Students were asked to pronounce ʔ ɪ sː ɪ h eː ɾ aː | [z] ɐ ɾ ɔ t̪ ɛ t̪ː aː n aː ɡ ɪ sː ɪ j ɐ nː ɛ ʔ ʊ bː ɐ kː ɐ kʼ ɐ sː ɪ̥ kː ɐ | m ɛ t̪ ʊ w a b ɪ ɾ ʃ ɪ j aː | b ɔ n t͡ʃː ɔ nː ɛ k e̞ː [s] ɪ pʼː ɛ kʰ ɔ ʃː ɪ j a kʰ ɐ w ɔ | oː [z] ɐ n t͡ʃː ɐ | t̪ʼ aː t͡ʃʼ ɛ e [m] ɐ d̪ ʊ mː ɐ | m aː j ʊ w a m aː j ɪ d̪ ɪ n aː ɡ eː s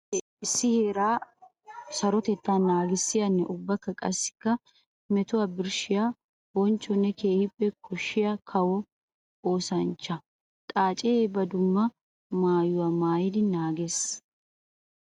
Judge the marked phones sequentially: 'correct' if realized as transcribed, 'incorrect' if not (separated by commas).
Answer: incorrect, incorrect, incorrect, incorrect